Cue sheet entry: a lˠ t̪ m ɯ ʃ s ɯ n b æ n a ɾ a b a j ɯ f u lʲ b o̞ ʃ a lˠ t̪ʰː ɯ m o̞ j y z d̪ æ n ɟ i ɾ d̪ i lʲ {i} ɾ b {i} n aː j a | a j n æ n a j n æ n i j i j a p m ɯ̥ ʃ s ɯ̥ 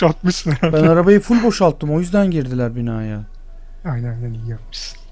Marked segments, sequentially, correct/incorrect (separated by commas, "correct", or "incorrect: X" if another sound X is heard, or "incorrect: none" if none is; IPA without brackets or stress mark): incorrect: æ, correct